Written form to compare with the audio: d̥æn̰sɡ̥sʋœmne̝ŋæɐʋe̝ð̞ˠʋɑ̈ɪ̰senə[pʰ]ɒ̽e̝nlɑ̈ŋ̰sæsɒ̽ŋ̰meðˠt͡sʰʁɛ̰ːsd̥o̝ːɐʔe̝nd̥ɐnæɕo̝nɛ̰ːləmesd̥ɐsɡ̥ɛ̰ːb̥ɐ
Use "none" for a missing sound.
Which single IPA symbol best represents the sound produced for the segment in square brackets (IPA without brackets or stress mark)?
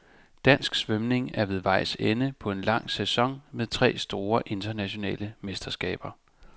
pʰ